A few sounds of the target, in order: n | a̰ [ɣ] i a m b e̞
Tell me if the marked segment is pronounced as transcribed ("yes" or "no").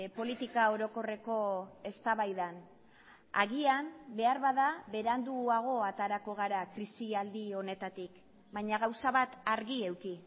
yes